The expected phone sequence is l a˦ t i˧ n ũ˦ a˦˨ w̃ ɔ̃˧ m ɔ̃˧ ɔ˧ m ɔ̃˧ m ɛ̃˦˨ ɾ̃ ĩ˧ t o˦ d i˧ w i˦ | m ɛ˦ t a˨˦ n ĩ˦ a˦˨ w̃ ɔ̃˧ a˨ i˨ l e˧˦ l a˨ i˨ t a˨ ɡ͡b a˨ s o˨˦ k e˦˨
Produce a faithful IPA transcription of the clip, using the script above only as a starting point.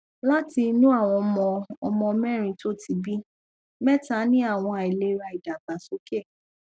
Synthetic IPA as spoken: l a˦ t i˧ n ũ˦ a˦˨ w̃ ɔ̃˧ m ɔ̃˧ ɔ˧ m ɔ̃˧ m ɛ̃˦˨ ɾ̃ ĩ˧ t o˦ t i˧ b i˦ | m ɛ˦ t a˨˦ n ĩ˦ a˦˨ w̃ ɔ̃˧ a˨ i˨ l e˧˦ ɾ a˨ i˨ d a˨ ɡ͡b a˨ s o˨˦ k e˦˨